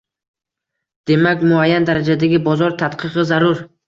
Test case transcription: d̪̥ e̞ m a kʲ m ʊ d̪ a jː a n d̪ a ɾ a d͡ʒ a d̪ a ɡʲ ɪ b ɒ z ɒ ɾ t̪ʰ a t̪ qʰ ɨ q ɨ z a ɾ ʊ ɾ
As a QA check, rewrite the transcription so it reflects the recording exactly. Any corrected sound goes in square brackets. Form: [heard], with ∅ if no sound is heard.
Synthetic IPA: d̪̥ e̞ m a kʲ m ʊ [∅] a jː a n d̪ a ɾ a d͡ʒ a d̪ a ɡʲ ɪ b ɒ z ɒ ɾ t̪ʰ a t̪ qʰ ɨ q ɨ z a ɾ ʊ ɾ